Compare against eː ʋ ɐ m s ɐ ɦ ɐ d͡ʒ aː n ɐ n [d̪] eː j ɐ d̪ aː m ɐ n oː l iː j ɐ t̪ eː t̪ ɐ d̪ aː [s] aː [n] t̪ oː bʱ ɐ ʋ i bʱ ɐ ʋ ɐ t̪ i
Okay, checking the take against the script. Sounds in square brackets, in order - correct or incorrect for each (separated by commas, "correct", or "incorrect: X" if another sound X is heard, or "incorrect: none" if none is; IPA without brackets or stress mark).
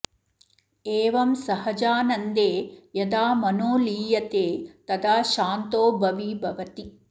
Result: correct, incorrect: ʃ, correct